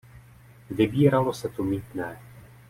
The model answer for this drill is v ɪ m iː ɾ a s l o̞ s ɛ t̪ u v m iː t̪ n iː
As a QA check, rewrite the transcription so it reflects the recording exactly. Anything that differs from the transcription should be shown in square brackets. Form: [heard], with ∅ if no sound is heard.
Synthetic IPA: v ɪ [b] iː ɾ a [∅] l o̞ s ɛ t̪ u [∅] m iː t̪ n [ɛː]